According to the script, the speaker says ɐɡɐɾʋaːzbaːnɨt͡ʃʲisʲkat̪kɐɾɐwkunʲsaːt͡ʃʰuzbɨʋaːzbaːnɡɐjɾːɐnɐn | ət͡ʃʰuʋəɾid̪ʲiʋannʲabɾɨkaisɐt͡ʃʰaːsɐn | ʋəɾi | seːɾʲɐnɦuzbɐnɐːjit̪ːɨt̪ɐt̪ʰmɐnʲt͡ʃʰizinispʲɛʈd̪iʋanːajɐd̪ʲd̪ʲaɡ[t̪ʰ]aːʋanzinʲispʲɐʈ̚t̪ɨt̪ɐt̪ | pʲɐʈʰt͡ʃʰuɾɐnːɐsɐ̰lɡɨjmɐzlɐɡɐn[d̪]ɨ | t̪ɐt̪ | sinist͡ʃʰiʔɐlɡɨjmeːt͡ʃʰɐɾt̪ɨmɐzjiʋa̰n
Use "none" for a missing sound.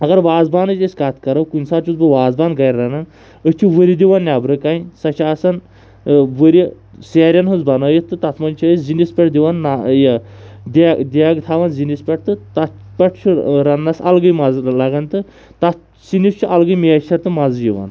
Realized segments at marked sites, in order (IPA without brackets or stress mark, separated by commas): t̪ʰ, t̪